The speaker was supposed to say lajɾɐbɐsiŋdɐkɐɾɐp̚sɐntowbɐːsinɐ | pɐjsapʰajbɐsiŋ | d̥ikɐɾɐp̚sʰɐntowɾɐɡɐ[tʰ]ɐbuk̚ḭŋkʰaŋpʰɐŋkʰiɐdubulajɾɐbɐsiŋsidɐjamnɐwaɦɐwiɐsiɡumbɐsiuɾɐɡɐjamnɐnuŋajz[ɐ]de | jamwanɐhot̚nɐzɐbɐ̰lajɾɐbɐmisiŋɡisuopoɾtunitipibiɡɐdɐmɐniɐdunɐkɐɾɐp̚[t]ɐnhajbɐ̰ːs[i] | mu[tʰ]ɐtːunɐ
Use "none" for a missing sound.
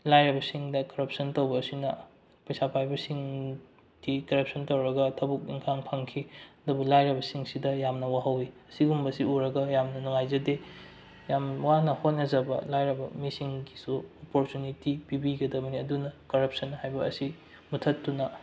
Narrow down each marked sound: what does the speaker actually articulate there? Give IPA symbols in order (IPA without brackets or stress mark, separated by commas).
tʰ, ɐ, s, i, tʰ